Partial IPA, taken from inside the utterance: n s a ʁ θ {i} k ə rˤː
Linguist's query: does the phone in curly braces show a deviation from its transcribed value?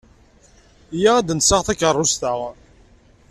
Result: yes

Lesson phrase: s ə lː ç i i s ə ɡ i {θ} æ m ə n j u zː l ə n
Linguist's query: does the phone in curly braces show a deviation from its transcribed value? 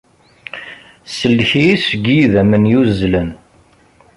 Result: yes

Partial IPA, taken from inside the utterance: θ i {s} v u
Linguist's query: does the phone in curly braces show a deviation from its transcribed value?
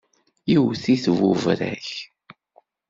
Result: yes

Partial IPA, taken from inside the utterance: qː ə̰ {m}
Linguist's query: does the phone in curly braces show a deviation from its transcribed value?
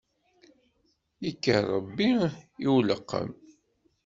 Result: no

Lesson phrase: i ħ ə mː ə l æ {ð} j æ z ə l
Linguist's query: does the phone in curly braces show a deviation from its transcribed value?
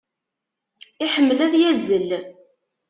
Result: no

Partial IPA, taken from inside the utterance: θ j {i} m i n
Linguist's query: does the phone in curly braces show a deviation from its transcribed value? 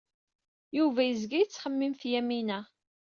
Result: yes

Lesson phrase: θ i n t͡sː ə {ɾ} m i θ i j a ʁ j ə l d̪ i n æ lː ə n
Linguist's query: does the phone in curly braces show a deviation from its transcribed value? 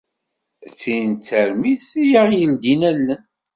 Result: no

